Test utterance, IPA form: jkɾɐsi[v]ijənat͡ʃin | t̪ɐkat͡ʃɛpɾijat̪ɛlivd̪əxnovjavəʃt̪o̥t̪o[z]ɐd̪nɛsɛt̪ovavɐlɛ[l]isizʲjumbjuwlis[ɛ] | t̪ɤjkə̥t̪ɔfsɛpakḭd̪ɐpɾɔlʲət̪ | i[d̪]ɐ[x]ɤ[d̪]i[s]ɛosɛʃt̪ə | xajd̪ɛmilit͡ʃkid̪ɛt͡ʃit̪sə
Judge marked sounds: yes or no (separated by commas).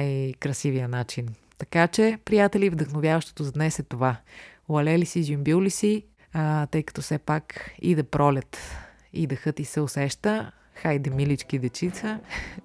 yes, yes, yes, no, yes, yes, no, yes